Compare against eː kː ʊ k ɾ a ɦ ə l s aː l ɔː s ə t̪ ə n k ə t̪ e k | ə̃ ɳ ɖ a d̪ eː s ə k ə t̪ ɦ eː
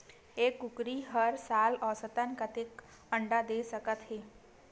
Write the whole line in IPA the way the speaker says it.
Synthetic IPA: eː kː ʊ k ɾ i ɦ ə ɾ s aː l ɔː s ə t̪ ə n k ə t̪ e k | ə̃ ɳ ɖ a d̪ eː s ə k ə t̪ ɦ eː